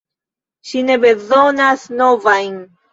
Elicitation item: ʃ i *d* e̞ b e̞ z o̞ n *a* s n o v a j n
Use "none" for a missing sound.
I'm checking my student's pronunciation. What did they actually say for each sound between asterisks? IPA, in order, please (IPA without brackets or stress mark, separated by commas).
n, a